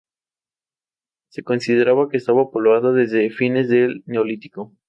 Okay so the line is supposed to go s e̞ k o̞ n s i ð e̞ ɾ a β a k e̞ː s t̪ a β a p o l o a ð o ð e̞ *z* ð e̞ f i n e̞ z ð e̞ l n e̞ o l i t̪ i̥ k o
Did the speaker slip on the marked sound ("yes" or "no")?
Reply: no